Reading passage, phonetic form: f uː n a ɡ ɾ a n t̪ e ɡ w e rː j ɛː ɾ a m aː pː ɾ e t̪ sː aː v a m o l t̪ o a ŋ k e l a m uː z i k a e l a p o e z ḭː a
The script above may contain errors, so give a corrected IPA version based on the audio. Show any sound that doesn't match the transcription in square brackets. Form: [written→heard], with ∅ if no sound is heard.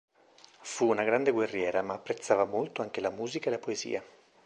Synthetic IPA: f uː n a ɡ ɾ a n [t̪→d̪] e ɡ w e rː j ɛː ɾ a m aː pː ɾ e t̪ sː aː v a m o l t̪ o a ŋ k e l a m uː z i k a e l a p o e z ḭː a